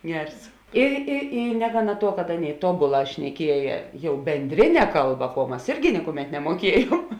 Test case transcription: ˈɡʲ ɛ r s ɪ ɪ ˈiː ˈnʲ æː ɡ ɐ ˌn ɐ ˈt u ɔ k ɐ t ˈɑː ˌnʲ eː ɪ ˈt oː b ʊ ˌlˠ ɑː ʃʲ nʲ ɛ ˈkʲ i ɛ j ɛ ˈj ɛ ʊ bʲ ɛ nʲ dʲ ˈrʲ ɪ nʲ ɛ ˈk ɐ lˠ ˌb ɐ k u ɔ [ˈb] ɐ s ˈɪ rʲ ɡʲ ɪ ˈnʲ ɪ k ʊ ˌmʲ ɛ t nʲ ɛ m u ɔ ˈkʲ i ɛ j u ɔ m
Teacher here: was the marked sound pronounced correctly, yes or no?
no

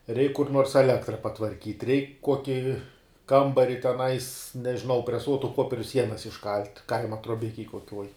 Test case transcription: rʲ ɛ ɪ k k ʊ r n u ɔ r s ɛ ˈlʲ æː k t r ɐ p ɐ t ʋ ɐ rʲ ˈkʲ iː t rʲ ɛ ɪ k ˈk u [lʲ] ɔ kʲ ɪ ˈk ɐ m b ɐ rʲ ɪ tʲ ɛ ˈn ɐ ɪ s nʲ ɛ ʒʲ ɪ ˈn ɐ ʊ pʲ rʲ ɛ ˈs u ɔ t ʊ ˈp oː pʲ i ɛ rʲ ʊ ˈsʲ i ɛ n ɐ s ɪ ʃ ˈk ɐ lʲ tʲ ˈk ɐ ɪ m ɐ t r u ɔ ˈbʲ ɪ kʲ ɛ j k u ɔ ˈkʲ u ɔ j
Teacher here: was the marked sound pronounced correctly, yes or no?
no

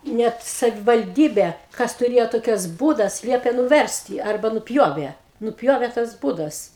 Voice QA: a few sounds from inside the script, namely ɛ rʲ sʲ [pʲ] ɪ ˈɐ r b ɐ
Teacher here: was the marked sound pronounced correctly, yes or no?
no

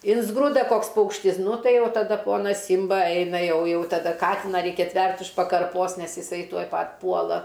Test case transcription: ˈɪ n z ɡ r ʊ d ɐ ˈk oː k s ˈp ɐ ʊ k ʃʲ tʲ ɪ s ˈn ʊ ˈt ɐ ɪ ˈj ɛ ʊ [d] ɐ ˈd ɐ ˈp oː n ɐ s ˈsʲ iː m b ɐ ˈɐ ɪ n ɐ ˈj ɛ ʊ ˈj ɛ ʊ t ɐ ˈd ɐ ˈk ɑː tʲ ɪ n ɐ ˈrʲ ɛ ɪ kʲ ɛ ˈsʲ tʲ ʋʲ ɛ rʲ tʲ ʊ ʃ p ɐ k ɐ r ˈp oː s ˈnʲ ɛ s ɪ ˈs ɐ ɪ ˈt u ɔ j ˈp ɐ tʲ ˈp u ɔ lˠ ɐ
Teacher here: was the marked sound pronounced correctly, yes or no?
no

